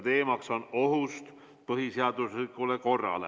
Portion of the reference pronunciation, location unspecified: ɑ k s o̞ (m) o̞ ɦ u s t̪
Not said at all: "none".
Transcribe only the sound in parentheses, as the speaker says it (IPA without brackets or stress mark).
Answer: n